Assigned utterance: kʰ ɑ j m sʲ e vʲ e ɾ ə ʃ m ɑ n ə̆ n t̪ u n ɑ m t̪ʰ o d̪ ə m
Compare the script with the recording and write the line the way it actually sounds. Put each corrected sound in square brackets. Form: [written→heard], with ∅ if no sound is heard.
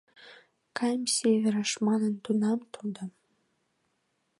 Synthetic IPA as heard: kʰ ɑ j m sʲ e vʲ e ɾ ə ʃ m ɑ n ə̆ n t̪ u n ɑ m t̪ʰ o d̪ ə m